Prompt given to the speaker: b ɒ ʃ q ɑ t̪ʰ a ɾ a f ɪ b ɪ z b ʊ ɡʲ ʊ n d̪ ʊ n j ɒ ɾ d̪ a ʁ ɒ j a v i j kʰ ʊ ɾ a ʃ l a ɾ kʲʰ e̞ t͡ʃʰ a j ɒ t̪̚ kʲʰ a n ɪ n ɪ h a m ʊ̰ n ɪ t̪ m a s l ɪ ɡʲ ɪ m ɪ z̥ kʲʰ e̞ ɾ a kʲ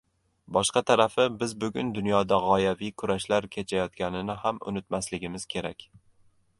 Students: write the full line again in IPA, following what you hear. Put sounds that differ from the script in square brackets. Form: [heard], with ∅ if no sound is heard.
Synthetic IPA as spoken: b ɒ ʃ q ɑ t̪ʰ a ɾ a f ɪ b ɪ z b ʊ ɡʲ ʊ n d̪ ʊ n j ɒ [∅] d̪ a ʁ ɒ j a v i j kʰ ʊ ɾ a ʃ l a ɾ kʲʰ e̞ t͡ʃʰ a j ɒ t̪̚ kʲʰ a n ɪ n ɪ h a m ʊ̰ n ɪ t̪ m a s l ɪ ɡʲ ɪ m ɪ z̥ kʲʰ e̞ ɾ a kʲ